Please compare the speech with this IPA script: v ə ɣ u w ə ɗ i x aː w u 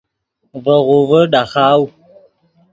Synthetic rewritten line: v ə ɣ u v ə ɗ a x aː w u